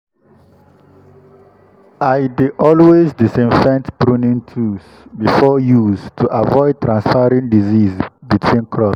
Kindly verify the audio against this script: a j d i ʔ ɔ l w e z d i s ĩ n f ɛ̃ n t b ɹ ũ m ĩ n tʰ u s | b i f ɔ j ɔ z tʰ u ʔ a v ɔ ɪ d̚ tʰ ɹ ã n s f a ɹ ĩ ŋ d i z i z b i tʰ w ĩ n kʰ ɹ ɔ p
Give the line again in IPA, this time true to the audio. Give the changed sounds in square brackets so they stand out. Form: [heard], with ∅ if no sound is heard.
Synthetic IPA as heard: a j d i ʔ ɔ l w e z d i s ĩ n f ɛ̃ n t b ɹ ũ [n] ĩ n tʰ u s | b i f ɔ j [u] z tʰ u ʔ a v ɔ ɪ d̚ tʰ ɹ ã n s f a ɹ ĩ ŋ d i z i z b i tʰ w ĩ n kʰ ɹ ɔ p